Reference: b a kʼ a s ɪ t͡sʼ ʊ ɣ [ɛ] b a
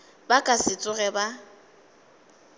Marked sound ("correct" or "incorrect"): correct